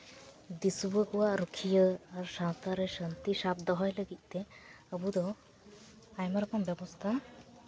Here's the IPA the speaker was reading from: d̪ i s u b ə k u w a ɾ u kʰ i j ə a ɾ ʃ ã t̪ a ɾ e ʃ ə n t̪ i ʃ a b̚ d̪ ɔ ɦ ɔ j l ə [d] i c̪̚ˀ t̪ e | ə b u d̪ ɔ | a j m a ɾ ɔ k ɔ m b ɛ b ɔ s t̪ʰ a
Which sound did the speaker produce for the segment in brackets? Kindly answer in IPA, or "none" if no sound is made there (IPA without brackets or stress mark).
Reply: ɡ